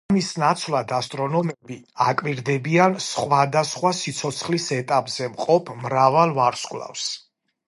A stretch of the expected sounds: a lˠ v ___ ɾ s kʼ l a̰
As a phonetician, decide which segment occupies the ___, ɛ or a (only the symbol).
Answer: a